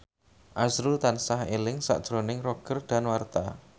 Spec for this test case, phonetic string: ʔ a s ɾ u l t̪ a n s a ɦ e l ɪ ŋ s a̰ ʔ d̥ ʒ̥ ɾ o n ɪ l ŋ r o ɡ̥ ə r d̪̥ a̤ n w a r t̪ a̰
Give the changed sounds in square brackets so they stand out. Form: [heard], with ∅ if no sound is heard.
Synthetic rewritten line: ʔ a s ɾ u l t̪ a n s a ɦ e l ɪ ŋ s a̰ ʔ d̥ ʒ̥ ɾ o n ɪ [∅] ŋ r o ɡ̥ ə r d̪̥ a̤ n w a r t̪ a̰